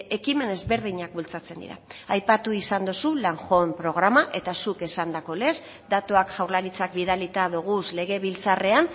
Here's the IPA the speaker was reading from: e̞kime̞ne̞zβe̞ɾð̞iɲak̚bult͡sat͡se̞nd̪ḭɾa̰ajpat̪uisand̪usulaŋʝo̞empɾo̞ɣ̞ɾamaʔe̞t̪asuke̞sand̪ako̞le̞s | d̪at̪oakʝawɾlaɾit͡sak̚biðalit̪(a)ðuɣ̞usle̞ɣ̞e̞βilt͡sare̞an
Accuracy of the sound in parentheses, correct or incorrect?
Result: correct